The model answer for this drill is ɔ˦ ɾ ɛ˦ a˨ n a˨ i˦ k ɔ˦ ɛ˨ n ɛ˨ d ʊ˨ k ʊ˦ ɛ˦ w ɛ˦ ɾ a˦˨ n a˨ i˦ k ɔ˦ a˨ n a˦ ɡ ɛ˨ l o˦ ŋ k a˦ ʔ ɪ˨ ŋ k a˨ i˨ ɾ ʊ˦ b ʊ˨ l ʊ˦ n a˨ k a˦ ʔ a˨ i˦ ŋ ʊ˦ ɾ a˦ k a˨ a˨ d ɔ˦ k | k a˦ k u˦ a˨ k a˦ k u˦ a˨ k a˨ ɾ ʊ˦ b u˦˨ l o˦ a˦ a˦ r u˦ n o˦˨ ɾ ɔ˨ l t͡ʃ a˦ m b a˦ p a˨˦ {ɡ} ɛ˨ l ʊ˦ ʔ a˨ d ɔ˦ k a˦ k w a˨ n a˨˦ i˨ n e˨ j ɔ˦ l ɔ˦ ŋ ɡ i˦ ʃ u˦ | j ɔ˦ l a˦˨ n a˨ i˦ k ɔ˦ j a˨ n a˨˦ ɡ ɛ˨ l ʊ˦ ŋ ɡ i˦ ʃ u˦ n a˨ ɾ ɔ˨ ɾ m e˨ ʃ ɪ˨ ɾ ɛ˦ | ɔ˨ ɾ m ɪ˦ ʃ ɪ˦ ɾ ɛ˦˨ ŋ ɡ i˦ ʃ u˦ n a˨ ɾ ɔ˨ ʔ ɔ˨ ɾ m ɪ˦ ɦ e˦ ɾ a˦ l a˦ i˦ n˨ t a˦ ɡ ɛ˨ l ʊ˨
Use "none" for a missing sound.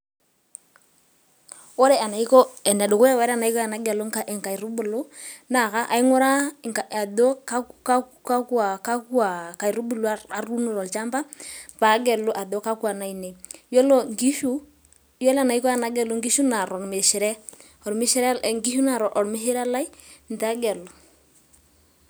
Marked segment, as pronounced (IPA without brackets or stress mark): ɡ